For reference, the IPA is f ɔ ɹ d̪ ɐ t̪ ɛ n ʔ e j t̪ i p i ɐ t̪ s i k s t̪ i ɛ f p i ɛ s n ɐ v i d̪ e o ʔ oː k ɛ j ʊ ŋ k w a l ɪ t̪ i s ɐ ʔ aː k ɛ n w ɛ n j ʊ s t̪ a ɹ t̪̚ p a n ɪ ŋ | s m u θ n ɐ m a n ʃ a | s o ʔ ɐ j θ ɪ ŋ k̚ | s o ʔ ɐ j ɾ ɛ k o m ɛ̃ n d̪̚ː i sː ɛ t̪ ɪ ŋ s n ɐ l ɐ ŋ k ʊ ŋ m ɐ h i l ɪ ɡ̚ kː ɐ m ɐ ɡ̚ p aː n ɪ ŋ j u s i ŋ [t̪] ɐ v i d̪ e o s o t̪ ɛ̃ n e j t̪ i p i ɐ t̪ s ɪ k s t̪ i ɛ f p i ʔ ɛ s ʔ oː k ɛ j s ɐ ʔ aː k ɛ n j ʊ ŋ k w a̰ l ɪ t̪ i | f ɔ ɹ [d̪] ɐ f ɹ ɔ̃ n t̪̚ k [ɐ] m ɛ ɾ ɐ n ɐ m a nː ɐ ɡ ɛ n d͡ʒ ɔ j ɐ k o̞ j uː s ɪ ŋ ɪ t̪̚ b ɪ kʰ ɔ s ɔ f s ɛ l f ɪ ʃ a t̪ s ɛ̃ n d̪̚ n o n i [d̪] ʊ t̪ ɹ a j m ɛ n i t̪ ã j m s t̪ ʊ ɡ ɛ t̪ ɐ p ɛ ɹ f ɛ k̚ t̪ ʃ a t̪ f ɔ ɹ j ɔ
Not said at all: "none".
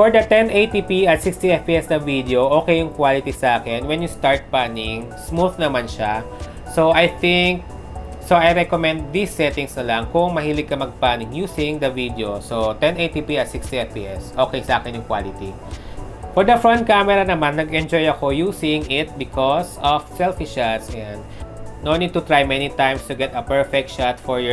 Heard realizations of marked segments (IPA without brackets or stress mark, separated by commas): d̪, d̪, a, t̪